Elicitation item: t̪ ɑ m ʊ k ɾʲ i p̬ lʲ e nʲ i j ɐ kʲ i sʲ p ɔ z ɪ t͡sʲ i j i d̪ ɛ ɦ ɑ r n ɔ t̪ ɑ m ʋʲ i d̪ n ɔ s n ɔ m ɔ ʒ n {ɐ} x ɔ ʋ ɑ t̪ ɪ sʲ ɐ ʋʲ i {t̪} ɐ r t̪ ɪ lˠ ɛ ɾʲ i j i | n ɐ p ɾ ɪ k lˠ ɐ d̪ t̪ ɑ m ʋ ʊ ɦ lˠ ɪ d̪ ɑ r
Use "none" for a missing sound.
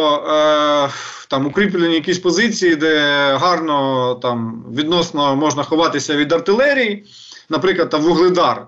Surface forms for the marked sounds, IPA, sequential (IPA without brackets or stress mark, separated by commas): ɐ, d̪